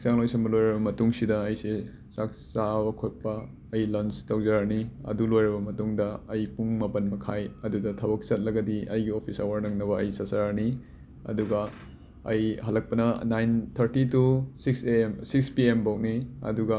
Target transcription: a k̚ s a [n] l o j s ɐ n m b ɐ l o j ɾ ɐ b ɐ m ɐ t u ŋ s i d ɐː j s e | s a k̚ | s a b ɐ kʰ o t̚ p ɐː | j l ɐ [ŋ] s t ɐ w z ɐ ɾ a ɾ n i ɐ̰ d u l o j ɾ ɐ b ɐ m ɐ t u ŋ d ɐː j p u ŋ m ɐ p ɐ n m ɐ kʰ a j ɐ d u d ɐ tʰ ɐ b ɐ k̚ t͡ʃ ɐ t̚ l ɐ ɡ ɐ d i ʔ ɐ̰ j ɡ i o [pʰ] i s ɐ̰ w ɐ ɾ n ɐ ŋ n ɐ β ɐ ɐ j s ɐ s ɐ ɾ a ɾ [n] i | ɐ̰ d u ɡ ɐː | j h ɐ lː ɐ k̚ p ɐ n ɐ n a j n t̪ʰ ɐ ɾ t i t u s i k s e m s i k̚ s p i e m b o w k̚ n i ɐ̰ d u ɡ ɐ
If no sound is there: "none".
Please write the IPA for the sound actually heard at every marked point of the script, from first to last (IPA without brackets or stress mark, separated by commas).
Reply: ŋ, n, pʰ, n